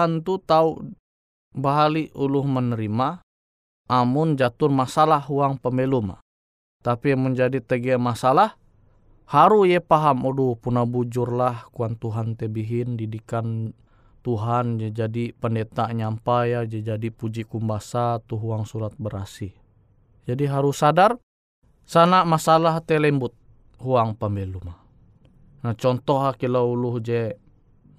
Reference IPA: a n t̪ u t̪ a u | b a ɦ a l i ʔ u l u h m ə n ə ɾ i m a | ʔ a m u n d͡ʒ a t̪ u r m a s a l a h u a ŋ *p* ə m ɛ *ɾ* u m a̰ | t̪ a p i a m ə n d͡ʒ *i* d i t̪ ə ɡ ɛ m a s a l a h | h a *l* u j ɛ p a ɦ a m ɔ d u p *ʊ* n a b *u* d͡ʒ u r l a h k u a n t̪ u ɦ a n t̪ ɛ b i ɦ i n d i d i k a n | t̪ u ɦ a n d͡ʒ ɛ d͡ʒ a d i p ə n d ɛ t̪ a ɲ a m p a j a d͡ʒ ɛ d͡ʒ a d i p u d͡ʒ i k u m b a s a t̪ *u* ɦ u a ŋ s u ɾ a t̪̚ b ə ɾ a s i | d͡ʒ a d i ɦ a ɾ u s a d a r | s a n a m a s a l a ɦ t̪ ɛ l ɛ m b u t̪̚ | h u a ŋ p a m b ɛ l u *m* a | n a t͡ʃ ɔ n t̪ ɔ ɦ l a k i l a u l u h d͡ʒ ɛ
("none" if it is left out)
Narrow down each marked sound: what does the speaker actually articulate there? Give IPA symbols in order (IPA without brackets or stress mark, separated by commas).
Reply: p, l, a, ɾ, u, u, u, m